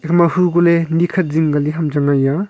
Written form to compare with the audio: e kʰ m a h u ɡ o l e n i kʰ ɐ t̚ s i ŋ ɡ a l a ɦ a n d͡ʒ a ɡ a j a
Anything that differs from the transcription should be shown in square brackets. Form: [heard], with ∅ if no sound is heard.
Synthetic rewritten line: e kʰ m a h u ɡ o l e n i kʰ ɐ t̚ [z] i ŋ ɡ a l [i] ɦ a [m] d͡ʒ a [ŋ] a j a

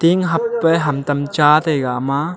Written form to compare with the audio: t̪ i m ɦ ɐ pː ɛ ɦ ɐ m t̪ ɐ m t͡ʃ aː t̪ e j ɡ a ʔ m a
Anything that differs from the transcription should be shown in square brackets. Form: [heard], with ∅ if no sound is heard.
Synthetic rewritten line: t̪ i [ŋ] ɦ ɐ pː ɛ ɦ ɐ m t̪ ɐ m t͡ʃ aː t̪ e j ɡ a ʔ m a

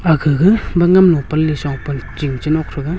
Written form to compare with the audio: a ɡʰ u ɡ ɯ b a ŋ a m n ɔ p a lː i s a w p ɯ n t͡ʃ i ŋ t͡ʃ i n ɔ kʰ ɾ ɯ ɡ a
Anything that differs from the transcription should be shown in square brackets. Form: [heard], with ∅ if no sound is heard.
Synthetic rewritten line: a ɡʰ [ɯ] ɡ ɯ b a ŋ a m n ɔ p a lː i s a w p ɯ n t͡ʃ i ŋ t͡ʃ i n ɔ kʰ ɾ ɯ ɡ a

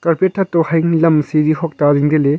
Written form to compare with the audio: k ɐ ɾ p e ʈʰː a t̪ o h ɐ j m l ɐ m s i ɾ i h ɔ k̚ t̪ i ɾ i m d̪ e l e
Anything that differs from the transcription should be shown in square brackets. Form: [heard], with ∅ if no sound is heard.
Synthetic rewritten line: k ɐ ɾ p e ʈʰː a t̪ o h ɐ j [ŋ] l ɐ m s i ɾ i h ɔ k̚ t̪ [a] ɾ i [ŋ] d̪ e l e

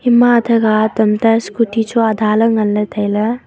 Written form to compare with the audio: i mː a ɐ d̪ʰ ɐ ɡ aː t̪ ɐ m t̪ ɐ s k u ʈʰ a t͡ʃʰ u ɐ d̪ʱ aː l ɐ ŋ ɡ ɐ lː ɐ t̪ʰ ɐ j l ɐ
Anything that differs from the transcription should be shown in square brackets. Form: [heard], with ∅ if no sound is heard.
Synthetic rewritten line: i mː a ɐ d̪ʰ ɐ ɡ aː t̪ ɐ m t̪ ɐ s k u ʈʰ [i] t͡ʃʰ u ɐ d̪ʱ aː l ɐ ŋ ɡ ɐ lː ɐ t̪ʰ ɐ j l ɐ

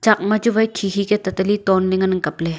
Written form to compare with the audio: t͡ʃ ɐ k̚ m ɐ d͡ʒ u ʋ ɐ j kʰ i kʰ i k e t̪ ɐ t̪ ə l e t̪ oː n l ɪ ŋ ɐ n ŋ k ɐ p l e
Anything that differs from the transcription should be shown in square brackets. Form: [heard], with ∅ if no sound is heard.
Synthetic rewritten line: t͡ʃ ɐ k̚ m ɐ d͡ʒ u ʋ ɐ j kʰ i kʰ i k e t̪ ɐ t̪ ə l [i] t̪ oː n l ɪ ŋ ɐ n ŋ k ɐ p l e

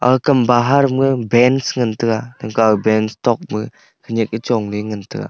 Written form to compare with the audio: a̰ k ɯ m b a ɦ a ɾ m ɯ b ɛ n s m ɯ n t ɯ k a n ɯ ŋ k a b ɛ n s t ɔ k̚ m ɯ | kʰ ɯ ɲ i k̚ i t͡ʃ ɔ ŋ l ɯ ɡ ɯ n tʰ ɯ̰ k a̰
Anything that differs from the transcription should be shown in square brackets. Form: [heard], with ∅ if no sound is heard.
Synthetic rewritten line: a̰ k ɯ m b a ɦ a ɾ m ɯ b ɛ n s [ŋ] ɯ n t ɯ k a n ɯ ŋ k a b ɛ n s t ɔ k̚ m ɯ | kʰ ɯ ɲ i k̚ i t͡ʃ ɔ ŋ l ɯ [ŋ] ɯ n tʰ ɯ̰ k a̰

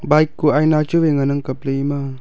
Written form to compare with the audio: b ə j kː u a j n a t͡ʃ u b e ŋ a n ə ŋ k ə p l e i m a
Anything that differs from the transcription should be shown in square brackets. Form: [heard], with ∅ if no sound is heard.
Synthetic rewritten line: b [a] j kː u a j n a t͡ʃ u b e ŋ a n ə ŋ k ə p l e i m a

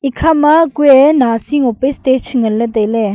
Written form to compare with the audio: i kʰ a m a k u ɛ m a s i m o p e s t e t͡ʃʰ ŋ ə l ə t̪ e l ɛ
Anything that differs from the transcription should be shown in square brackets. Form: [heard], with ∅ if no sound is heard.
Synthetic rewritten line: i kʰ a m a k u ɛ [n] a s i [ŋ] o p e s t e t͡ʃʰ ŋ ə l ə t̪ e l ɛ

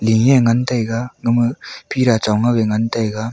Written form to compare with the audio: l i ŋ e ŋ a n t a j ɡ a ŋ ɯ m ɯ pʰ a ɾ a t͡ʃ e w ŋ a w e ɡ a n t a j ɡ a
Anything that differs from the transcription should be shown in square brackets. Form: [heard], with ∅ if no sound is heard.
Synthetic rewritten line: l i ŋ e ŋ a n t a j ɡ a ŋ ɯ m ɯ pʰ [i] ɾ a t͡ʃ [a] w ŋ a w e [ŋ] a n t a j ɡ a

